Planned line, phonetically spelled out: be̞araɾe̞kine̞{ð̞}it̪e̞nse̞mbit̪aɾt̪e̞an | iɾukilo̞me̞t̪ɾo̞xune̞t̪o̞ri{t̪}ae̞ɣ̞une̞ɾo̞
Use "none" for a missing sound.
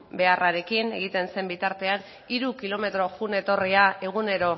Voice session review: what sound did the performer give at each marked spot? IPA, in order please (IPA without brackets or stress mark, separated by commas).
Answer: ɣ̞, none